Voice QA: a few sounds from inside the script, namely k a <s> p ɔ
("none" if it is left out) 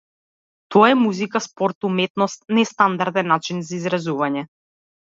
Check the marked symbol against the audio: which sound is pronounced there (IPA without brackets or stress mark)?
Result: s